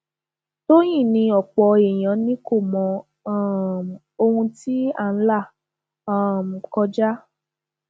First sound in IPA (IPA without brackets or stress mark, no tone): t